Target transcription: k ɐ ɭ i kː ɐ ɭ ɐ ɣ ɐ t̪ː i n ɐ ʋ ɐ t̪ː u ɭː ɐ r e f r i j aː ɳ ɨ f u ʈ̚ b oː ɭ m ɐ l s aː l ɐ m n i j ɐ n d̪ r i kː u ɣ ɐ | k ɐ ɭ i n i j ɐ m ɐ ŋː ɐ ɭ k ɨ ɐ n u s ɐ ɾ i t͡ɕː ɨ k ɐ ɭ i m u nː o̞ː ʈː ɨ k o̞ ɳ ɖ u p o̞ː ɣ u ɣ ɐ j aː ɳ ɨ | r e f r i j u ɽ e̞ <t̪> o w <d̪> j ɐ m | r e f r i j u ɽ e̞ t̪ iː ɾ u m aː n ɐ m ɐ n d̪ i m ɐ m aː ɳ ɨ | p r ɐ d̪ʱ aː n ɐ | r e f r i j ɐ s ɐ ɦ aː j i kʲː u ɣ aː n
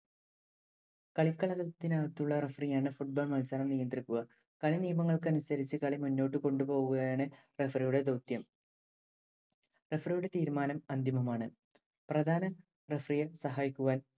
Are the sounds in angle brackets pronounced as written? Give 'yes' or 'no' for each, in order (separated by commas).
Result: no, no